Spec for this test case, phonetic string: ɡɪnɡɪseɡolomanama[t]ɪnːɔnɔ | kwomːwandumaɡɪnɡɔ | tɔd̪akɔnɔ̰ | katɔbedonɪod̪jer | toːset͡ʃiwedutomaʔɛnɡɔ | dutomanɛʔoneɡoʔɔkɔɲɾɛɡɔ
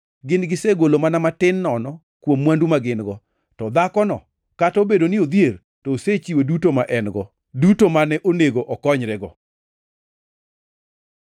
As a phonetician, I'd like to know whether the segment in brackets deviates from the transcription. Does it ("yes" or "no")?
no